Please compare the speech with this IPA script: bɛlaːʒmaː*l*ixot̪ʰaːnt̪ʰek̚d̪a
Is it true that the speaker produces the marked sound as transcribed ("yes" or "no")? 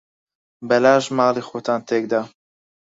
yes